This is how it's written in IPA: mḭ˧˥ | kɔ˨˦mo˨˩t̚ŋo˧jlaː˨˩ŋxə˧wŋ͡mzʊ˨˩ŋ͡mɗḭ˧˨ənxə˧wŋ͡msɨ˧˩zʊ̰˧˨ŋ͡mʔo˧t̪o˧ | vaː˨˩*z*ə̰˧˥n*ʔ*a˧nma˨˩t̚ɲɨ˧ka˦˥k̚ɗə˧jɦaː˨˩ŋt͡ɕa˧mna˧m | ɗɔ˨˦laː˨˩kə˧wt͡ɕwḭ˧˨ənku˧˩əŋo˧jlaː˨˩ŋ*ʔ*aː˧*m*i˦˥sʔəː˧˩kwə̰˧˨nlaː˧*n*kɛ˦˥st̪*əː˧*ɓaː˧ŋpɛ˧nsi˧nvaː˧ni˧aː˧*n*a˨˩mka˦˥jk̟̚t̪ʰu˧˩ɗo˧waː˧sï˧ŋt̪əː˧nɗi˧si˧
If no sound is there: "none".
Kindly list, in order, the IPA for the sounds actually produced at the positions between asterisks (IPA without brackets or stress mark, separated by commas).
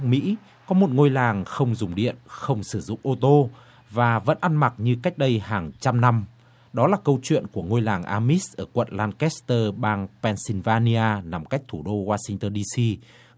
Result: v, ʔ, ʔ, m, n, əː˧, n